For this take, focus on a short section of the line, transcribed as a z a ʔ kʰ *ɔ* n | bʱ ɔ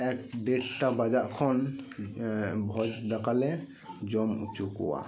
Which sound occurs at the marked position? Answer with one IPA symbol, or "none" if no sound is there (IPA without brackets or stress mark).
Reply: ɔ